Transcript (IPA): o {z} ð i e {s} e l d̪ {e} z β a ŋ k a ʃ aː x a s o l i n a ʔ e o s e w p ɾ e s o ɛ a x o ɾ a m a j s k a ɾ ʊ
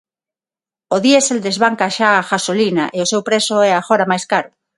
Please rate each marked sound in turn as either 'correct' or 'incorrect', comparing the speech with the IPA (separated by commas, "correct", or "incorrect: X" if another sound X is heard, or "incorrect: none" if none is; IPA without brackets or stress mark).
incorrect: none, correct, correct